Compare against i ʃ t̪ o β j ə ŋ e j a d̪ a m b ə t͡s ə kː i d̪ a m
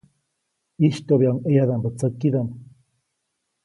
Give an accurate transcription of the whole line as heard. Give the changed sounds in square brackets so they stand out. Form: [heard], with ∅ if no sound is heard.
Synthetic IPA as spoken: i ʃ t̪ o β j [a] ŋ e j a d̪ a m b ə t͡s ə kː i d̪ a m